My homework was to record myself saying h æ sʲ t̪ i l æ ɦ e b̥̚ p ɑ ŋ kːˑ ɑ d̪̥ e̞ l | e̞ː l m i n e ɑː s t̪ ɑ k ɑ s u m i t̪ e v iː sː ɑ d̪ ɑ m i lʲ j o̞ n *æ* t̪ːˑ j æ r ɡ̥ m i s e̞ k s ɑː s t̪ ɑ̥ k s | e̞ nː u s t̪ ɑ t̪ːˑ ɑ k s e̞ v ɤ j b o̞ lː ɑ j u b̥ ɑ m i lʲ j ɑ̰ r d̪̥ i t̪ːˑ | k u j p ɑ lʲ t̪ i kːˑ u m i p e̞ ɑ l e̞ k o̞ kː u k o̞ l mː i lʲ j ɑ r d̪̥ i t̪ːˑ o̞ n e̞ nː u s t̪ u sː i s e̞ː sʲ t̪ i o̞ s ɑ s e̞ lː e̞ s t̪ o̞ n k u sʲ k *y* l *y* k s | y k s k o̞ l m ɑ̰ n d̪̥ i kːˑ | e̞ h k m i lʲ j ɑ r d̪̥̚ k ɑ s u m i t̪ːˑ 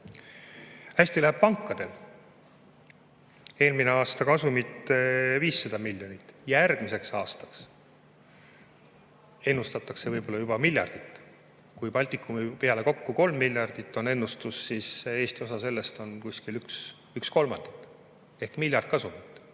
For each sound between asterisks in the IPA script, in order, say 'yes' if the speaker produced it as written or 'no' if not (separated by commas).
no, no, yes